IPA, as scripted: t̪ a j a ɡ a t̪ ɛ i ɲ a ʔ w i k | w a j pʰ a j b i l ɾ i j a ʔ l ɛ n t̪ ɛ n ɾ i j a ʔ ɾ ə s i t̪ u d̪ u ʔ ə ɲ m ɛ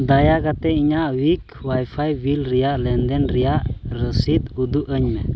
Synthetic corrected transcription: d̪ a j a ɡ a t̪ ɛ i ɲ a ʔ w i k | w a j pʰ a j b i l ɾ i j a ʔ l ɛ n d̪ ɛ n ɾ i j a ʔ ɾ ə s i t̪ u d̪ u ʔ ə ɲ m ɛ